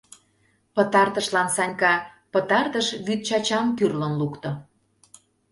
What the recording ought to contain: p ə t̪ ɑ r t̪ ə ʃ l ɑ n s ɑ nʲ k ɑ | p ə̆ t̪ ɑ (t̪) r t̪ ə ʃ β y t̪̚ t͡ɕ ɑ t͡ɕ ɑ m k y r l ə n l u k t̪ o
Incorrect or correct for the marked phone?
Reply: incorrect: none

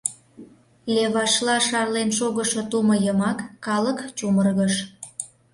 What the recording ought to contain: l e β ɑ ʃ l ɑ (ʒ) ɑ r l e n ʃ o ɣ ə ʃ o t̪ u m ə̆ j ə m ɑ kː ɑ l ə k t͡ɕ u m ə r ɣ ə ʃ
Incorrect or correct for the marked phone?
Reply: incorrect: ʃ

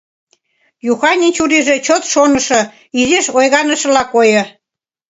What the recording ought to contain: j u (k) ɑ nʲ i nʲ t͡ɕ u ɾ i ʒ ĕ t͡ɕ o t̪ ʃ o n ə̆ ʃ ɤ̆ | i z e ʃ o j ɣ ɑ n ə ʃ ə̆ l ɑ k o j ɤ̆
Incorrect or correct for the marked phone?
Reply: incorrect: x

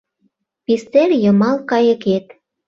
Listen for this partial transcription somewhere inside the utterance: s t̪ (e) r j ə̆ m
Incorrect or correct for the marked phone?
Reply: correct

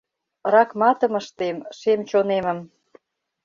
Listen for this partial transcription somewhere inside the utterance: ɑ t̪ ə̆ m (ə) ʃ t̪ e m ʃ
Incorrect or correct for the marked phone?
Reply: correct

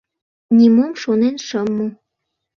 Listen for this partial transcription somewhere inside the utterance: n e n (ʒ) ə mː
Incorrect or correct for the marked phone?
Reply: incorrect: ʃ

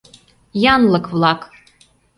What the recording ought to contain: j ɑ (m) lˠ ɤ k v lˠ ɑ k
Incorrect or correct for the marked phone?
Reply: incorrect: n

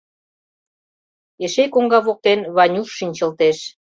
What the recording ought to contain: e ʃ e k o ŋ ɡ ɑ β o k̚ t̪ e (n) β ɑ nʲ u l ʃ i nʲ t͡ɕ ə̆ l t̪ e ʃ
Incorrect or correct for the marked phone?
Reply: correct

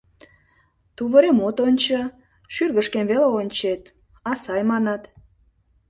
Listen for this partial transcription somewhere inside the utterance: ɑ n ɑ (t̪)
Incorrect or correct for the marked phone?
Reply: correct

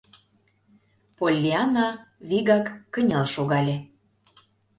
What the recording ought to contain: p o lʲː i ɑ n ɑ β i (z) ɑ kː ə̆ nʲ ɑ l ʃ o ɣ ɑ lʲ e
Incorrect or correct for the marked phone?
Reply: incorrect: ɣ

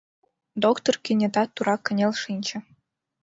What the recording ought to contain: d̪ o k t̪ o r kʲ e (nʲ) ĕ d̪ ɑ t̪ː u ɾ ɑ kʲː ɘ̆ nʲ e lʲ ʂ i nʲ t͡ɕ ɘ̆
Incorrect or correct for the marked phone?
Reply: correct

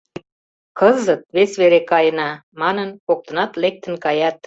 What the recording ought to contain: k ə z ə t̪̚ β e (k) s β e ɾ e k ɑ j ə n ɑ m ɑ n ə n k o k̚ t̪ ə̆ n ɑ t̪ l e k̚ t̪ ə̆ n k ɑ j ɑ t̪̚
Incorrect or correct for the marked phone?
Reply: incorrect: none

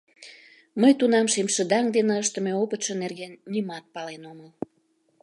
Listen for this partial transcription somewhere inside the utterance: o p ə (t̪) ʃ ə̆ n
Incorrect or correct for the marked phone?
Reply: correct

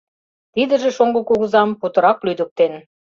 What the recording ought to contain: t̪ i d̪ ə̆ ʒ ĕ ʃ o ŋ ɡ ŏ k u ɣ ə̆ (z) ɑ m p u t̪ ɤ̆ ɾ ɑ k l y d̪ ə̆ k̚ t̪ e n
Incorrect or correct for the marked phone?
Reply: correct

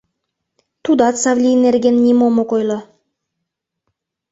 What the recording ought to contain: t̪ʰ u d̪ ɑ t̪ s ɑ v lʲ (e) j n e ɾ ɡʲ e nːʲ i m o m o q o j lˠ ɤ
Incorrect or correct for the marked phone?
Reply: incorrect: i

